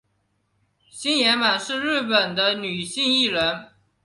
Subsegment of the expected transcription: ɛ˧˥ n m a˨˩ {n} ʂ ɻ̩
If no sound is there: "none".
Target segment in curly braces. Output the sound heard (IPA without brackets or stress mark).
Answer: n